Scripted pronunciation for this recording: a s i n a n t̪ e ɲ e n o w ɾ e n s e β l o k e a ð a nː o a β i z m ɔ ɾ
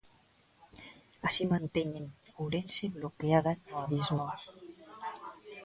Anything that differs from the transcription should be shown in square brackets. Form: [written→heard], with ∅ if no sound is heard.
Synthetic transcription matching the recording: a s i [n→m] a n t̪ e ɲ e n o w ɾ e n s e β l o k e a ð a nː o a β i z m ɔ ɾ